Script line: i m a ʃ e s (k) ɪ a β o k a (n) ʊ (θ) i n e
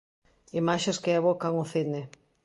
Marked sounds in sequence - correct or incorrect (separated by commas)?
correct, incorrect, correct